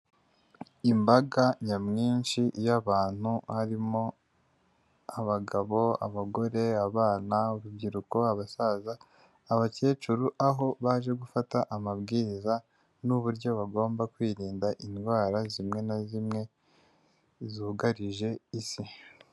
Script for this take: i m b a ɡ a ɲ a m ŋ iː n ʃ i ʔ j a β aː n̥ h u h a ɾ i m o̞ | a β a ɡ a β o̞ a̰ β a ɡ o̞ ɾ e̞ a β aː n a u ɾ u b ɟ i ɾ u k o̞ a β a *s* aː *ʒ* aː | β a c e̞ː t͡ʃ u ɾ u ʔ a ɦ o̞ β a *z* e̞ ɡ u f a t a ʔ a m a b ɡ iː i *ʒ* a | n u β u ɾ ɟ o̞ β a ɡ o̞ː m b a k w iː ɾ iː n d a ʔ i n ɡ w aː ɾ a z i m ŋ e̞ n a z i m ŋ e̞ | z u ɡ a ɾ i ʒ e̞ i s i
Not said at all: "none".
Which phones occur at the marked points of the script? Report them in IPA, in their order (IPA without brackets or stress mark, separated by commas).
s, z, ʒ, z